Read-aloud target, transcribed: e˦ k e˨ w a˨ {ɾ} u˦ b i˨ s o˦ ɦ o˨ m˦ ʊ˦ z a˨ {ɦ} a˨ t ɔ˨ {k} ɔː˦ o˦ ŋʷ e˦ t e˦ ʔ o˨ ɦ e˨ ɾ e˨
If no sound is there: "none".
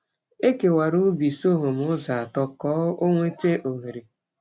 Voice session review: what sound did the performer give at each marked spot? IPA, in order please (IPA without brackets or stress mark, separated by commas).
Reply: ɾ, none, k